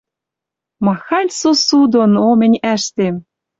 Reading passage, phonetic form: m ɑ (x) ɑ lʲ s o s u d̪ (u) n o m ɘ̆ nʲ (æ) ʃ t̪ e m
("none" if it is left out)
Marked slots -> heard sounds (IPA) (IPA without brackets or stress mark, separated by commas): x, o, æ